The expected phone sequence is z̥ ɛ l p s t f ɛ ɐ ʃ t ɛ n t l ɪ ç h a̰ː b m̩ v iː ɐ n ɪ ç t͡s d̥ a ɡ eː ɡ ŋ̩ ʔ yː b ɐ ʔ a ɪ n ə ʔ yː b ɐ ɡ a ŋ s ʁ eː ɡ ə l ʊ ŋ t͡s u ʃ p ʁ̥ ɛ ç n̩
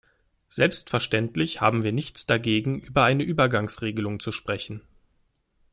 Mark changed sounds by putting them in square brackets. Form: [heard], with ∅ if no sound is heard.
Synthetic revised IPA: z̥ ɛ l p s t f ɛ ɐ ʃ t ɛ n t l ɪ ç h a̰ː b m̩ v iː ɐ n ɪ ç t͡s d̥ a ɡ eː ɡ ŋ̩ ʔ yː b ɐ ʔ a ɪ n ə ʔ yː b ɐ ɡ a ŋ s ʁ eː ɡ ə l ʊ ŋ t͡s u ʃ p ʁ̥ ɛ ç n̩